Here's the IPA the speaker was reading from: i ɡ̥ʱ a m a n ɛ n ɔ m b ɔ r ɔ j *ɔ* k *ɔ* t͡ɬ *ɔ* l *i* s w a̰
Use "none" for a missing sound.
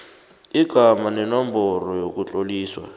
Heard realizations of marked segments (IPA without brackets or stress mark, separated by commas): o, u, o, iː